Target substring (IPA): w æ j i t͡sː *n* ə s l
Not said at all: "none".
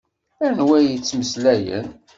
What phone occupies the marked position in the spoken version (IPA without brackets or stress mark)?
m